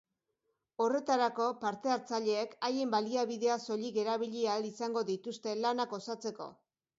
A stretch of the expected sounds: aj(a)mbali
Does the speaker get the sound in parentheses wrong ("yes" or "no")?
yes